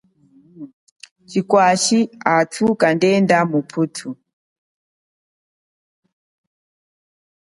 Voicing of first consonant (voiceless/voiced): voiceless